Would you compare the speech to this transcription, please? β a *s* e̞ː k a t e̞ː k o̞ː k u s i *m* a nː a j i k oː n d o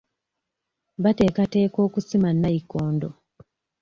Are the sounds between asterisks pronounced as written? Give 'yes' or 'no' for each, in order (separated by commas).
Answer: no, yes